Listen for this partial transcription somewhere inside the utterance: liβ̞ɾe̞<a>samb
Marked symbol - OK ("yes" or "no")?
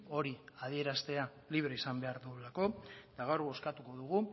no